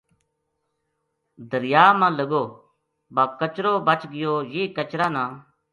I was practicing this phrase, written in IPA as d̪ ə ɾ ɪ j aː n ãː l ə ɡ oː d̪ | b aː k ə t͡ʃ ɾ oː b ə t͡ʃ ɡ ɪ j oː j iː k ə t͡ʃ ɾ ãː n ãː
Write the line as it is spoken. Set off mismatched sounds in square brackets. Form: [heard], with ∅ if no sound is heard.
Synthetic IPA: d̪ ə ɾ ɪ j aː [m] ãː l ə ɡ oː [∅] | b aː k ə t͡ʃ ɾ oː b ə t͡ʃ ɡ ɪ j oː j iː k ə t͡ʃ ɾ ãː n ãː

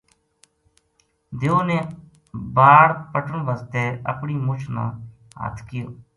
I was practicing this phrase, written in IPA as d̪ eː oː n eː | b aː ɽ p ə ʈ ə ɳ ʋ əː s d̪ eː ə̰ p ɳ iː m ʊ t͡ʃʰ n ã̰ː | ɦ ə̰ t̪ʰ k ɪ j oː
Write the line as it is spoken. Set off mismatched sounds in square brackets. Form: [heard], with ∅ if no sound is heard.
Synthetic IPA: d̪ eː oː n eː | b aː ɽ p ə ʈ ə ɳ ʋ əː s [t̪] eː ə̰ p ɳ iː m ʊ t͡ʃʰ n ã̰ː | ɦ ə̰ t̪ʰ k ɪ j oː

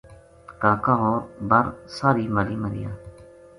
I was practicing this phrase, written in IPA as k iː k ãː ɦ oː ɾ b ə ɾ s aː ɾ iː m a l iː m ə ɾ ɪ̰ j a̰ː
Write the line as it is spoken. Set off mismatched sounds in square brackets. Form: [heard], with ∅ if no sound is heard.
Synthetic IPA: k [aː] k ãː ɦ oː ɾ b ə ɾ s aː ɾ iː m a l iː m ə ɾ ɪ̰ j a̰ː

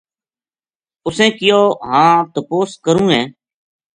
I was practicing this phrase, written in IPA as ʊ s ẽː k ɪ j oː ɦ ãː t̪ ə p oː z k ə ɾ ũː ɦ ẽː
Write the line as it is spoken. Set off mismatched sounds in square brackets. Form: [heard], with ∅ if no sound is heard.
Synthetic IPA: ʊ s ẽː k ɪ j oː ɦ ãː t̪ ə p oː [s] k ə ɾ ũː ɦ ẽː

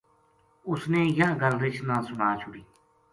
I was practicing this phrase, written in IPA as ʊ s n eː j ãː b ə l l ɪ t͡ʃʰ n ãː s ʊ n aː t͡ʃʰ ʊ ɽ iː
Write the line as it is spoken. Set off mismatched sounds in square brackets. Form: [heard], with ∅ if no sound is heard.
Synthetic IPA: ʊ s n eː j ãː [ɡ] ə l [ɾ] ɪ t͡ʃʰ n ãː s ʊ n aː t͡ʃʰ ʊ ɽ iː

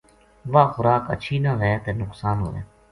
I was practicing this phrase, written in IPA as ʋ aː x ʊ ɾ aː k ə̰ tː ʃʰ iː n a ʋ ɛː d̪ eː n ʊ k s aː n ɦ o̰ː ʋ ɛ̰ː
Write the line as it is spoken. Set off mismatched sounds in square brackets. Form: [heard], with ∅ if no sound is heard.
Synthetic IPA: ʋ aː x ʊ ɾ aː k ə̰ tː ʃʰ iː n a ʋ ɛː [t̪] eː n ʊ k s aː n ɦ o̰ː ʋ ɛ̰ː

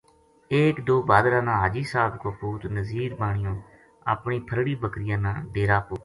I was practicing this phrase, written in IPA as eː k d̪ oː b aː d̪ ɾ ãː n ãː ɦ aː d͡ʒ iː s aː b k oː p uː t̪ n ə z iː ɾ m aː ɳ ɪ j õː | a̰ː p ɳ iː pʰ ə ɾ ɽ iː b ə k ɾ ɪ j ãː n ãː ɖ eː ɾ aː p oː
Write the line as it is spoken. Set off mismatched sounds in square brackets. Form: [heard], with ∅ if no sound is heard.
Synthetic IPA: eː k d̪ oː b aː d̪ ɾ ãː n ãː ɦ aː d͡ʒ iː s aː b k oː p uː t̪ n ə z iː ɾ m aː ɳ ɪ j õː | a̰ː p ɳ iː pʰ ə ɾ ɽ iː b ə k ɾ ɪ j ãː n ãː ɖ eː ɾ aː p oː

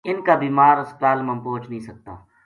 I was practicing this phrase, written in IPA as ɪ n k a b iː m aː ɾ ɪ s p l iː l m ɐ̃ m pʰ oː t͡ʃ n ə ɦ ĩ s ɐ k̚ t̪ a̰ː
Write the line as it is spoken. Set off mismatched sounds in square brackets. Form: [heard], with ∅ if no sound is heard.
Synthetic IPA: ɪ n k a b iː m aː ɾ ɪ s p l [aː] l m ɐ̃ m [p] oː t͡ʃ n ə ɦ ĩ s ɐ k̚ t̪ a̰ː

